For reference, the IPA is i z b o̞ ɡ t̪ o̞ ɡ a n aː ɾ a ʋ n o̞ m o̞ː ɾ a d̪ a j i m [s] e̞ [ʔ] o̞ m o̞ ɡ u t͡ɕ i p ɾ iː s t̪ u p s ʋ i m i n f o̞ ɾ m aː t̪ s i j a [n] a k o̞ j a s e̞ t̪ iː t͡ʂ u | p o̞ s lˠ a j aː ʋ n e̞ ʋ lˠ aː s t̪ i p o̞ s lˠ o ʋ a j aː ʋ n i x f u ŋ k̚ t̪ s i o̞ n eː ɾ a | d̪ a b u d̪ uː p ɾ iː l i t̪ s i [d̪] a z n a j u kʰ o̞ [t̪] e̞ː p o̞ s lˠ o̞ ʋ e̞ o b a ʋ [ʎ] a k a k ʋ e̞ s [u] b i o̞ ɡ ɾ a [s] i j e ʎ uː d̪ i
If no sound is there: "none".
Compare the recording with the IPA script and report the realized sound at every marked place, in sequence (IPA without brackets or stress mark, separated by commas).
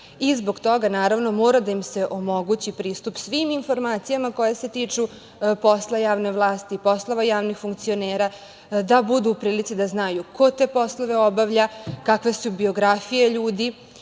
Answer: s, ʔ, m, d̪, t̪, ʎ, u, f